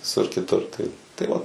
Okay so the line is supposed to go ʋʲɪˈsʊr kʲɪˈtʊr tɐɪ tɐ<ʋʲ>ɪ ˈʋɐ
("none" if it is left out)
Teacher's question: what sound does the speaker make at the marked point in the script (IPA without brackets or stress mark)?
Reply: none